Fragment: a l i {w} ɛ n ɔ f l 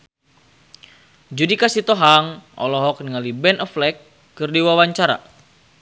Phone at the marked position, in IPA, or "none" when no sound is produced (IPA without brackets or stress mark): b